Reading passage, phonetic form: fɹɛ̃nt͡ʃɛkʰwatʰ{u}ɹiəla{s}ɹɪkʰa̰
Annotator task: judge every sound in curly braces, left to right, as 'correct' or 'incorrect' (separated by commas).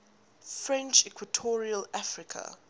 incorrect, incorrect